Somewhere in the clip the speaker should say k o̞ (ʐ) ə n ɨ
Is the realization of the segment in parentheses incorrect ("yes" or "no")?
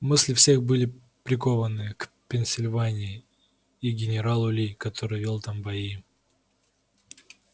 yes